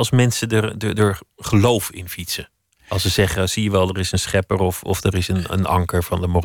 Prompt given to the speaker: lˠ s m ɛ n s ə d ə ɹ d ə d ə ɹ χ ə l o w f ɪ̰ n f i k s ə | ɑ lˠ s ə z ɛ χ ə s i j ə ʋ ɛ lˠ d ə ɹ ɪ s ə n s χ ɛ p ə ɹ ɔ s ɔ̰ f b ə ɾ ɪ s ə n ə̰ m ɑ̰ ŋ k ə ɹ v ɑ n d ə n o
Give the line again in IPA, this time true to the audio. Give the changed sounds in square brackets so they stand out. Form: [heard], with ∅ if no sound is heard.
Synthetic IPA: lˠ s m ɛ n s ə d ə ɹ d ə d ə ɹ χ ə l o w f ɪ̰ n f i [t] s ə | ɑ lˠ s ə z ɛ χ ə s i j ə ʋ ɛ lˠ d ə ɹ ɪ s ə n s χ ɛ p ə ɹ ɔ [f] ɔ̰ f [d] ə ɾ ɪ s ə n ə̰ [n] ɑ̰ ŋ k ə ɹ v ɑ n d ə [m] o